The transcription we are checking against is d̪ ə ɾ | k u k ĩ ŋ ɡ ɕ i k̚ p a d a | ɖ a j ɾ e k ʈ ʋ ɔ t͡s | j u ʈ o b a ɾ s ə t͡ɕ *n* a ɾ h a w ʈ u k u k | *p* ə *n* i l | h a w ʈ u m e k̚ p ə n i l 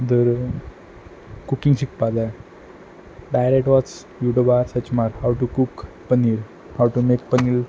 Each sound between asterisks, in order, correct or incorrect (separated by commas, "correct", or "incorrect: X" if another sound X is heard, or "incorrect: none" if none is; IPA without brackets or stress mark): incorrect: m, correct, correct